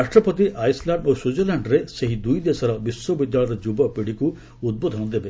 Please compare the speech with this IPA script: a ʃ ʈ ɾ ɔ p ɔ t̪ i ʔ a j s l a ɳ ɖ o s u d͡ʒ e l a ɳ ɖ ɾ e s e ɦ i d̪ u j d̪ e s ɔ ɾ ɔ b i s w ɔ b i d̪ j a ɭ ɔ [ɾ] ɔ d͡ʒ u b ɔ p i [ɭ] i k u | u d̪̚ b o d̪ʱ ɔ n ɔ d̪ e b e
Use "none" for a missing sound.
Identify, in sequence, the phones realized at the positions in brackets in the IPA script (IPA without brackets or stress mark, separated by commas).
ɾ, ɽ